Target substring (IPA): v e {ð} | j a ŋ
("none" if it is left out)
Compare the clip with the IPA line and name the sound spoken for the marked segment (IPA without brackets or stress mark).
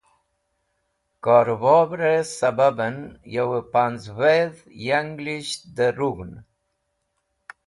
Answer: ð